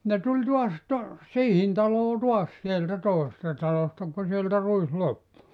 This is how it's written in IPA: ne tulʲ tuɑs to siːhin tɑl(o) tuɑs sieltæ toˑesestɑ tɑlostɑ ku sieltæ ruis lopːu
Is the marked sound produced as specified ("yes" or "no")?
no